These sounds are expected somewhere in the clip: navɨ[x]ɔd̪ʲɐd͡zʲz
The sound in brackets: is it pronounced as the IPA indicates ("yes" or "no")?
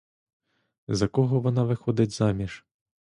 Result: yes